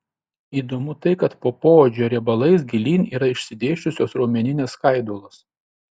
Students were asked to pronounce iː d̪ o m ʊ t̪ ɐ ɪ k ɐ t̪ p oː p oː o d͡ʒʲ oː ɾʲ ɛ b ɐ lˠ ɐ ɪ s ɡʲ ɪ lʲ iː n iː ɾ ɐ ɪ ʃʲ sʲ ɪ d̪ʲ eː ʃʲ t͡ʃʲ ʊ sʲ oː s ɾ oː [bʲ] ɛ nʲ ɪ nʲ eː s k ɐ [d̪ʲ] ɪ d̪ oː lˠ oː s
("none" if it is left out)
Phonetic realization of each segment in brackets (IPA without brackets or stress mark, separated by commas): mʲ, none